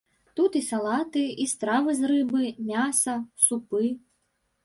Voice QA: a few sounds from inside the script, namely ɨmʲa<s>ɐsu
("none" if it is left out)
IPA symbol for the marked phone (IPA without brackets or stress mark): s